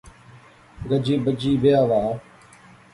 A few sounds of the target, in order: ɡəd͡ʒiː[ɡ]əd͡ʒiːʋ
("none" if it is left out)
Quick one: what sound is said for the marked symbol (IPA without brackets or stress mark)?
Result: b